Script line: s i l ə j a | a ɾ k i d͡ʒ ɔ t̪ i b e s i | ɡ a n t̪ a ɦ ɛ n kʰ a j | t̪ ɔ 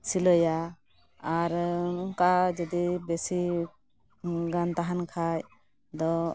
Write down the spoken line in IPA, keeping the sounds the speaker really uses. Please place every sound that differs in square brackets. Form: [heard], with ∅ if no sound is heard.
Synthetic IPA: s i l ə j a | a ɾ k [a] d͡ʒ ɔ [d̪] i b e s i | ɡ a n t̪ a ɦ [a] n kʰ a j | [d̪] ɔ